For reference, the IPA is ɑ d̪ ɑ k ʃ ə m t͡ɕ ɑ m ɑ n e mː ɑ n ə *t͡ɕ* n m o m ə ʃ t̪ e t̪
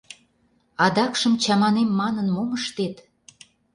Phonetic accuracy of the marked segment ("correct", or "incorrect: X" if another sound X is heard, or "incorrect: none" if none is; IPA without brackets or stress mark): incorrect: none